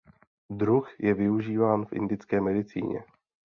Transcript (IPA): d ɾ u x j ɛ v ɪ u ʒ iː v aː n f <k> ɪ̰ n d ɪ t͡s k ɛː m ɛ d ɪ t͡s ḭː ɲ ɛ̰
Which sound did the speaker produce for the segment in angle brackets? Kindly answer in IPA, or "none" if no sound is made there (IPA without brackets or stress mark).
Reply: ʔ